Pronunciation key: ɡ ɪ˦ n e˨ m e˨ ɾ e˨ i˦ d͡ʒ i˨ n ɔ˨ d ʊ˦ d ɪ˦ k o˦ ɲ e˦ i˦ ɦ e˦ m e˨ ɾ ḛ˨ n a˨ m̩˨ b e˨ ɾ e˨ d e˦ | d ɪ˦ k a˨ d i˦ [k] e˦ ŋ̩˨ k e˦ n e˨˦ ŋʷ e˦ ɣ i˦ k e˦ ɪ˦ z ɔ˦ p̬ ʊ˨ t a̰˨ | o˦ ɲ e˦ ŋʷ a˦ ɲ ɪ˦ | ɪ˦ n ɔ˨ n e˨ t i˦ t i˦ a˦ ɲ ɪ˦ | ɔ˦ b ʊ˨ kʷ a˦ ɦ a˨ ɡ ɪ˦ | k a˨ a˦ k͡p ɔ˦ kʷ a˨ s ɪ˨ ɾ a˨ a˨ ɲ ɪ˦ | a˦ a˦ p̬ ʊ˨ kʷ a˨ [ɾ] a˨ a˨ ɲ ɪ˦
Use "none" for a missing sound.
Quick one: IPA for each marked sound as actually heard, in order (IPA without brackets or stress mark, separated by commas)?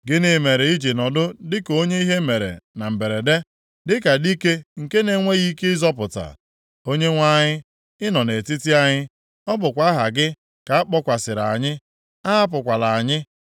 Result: k, l